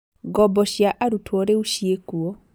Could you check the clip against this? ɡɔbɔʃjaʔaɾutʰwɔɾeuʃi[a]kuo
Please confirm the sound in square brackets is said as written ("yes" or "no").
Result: no